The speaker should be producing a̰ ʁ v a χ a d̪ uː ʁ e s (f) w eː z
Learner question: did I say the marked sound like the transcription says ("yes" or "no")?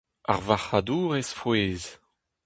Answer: yes